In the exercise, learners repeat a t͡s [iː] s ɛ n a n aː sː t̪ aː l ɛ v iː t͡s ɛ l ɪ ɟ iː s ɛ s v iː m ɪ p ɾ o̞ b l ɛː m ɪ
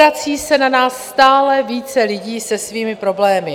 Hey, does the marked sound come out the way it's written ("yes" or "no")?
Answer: yes